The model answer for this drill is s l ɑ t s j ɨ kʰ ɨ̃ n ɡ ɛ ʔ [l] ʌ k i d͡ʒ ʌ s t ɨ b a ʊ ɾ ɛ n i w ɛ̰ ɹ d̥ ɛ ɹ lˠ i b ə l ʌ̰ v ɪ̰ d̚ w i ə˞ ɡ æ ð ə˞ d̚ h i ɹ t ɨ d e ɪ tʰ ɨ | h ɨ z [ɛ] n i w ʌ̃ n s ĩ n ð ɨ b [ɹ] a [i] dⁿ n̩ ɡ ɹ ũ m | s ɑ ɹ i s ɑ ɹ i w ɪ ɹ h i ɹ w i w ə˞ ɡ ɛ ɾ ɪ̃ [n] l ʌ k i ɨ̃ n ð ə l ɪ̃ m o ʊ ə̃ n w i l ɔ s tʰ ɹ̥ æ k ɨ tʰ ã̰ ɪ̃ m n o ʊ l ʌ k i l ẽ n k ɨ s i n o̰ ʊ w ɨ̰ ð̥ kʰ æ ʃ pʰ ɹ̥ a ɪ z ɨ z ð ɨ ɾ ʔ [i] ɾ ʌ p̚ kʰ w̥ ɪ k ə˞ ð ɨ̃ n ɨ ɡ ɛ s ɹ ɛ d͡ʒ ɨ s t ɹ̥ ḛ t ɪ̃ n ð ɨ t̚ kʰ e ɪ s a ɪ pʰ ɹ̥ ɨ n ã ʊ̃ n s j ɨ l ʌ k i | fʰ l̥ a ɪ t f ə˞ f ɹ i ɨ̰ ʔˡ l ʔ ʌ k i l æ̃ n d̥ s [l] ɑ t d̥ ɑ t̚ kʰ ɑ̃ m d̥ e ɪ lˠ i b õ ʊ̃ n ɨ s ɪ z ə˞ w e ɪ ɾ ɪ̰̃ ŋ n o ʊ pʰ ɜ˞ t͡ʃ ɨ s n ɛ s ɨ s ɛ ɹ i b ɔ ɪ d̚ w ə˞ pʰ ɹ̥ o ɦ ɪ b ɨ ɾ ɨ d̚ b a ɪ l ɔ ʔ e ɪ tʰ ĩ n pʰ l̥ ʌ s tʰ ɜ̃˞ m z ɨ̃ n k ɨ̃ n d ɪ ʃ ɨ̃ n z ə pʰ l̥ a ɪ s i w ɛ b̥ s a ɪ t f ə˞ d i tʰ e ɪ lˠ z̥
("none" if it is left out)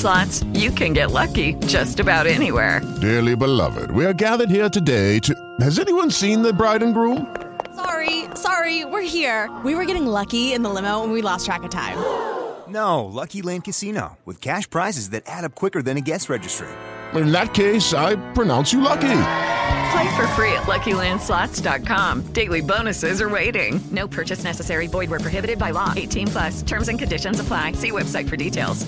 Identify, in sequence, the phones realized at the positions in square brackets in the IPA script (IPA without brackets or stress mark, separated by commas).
l, ɛ, ɹ, ɪ, ŋ, æ, l